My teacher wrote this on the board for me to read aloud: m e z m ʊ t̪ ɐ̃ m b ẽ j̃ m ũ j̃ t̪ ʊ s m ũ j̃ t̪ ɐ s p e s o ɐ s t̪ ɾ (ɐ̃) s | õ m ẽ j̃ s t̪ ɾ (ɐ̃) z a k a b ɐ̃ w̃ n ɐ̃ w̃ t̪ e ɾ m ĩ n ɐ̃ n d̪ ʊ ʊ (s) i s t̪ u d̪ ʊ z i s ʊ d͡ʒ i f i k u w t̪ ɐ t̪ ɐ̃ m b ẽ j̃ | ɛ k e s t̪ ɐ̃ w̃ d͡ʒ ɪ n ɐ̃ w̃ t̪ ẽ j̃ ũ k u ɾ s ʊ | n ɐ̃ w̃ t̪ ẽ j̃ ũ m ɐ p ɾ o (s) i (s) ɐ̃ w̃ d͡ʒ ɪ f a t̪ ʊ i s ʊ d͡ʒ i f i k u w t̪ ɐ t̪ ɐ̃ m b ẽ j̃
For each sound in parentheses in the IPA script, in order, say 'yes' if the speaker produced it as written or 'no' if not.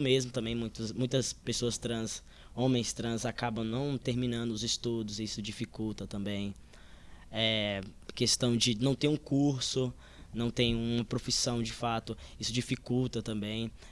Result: yes, yes, no, no, yes

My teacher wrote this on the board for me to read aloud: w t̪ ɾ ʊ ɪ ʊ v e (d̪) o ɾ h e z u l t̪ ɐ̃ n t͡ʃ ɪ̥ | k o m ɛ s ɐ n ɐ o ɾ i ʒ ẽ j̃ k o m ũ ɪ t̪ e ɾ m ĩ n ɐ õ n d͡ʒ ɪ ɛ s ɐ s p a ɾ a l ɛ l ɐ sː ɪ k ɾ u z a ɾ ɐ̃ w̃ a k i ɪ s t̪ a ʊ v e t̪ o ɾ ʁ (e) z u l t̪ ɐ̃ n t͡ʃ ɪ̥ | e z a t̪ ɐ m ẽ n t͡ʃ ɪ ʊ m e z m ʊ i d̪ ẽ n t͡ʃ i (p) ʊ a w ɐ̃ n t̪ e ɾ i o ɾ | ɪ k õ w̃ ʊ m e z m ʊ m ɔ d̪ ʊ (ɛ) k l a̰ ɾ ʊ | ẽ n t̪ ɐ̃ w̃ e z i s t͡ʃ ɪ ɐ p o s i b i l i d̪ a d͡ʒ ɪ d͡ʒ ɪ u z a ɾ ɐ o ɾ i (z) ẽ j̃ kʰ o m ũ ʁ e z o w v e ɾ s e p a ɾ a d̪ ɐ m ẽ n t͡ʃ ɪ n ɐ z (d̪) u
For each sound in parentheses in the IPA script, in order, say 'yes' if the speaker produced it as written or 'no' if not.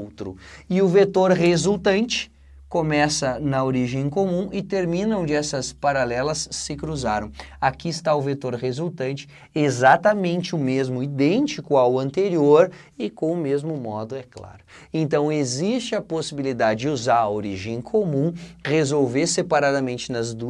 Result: no, yes, no, yes, no, yes

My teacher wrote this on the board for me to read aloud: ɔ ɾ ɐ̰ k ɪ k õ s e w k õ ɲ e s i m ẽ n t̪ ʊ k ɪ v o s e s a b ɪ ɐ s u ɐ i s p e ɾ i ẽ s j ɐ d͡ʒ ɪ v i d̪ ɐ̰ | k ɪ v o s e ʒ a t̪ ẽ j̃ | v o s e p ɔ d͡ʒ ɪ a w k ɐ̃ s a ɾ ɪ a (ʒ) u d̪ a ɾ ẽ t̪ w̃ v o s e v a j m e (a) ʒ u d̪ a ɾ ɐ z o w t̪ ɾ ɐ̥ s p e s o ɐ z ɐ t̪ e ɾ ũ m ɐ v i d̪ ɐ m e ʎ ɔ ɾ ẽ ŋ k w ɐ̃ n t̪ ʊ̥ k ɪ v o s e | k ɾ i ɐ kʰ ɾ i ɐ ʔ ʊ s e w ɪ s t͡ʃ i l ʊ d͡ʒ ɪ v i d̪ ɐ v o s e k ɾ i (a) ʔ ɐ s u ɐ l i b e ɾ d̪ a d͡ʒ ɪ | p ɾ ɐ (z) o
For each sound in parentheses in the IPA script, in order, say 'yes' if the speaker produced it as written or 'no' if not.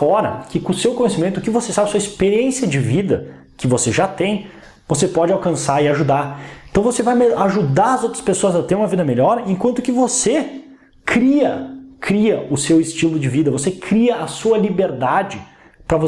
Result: yes, yes, no, no

